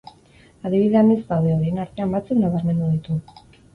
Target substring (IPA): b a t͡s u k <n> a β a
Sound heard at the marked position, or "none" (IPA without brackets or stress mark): n